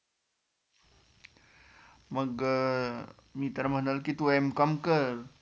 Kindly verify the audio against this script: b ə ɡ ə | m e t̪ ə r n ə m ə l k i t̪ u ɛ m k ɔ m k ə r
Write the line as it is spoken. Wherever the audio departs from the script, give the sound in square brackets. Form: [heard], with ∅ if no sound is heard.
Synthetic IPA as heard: [m] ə ɡ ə | m [i] t̪ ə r [m] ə [n] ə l k i t̪ u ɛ m k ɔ m k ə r

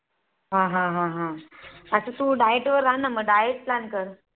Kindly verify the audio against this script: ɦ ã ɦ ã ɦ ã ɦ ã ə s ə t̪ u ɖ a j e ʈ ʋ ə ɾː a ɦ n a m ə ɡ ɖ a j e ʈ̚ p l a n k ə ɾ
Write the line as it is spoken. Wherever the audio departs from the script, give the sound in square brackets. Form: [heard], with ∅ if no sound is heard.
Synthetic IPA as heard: ɦ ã ɦ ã ɦ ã ɦ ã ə s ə t̪ u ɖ a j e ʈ ʋ ə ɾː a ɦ n a m ə ɡ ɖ a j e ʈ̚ p l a n k ə ɾ

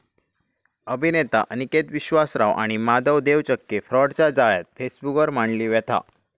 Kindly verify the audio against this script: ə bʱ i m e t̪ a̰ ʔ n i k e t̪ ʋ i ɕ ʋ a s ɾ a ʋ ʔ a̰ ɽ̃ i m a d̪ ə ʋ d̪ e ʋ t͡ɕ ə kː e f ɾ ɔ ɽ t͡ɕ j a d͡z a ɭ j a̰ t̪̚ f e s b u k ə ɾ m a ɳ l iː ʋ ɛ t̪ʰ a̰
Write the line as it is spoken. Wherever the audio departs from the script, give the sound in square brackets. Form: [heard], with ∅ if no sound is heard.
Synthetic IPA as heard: ə bʱ i [n] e t̪ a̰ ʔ n i k e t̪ ʋ i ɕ ʋ a s ɾ a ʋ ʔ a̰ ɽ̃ i m a d̪ ə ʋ d̪ e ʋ t͡ɕ ə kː e f ɾ ɔ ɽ t͡ɕ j a d͡z a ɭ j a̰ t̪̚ f e s b u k ə ɾ m a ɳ l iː ʋ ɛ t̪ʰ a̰

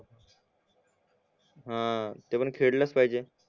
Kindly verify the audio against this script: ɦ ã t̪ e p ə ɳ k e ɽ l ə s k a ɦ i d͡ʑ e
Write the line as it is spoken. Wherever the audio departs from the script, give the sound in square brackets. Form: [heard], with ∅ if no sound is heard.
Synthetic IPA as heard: ɦ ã t̪ e p ə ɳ [kʰ] e ɽ l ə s [p] a ɦ i d͡ʑ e

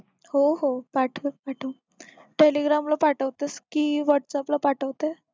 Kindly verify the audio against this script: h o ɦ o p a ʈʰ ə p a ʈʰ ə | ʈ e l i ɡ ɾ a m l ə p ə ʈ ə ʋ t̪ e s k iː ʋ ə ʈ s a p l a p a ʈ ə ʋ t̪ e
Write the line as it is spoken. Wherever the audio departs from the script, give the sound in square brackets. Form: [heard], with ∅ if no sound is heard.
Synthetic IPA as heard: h o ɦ o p a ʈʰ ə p a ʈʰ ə | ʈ e l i ɡ ɾ a m l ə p [a] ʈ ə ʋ t̪ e s k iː ʋ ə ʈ s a p l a p a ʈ ə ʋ t̪ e

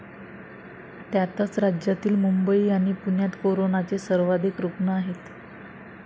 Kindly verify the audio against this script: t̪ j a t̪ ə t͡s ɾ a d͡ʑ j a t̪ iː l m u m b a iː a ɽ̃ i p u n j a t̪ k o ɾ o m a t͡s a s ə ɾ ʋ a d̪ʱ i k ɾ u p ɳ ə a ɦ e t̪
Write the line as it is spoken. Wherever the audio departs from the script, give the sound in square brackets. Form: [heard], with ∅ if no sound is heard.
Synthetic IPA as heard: t̪ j a t̪ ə t͡s ɾ a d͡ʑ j a t̪ iː l m u m b [ə] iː a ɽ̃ i p u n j a t̪ k o ɾ o [n] a t͡s [e] s ə ɾ ʋ a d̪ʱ i k ɾ u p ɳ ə a ɦ e t̪

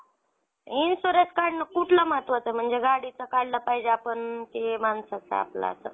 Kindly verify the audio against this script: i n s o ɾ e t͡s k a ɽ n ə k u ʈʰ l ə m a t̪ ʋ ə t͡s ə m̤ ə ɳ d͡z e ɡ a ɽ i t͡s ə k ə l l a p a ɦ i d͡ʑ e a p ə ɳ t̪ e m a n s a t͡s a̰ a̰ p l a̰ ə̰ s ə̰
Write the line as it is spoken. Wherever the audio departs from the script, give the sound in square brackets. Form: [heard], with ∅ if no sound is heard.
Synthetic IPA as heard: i n s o ɾ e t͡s k a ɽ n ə k u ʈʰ l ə m a t̪ ʋ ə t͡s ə m̤ ə ɳ d͡z e ɡ a ɽ i t͡s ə k [a] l l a p a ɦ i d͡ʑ e a p ə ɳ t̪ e m a n s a t͡s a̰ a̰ p l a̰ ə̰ s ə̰

